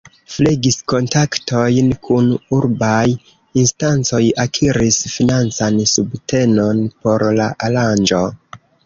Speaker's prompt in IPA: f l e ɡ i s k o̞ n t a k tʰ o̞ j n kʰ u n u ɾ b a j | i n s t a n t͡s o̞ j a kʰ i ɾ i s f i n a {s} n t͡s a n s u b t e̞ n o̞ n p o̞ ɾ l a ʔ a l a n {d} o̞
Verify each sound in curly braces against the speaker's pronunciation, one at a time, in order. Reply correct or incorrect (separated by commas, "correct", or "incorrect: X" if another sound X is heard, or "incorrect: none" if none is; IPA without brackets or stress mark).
incorrect: none, incorrect: d͡ʒ